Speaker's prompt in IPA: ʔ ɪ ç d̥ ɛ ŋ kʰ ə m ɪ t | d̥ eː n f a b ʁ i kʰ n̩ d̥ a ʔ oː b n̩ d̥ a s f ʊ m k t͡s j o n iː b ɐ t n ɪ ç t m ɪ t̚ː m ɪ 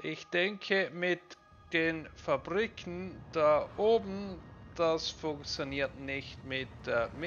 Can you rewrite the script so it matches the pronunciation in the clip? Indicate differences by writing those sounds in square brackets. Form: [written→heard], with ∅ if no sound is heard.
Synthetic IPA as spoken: ʔ ɪ ç d̥ ɛ ŋ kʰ ə m ɪ t | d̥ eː n f a b ʁ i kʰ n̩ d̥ a ʔ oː b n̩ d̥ a s f ʊ [m→ŋ] k t͡s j o n iː [b→∅] ɐ t n ɪ ç t m ɪ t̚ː m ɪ